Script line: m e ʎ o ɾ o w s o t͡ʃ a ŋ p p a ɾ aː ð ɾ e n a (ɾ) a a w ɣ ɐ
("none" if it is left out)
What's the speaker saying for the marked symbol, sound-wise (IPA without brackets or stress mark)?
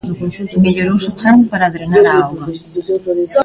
ɾ